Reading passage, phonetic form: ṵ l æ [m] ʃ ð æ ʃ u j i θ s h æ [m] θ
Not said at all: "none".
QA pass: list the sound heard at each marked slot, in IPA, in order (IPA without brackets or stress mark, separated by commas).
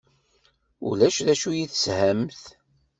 none, m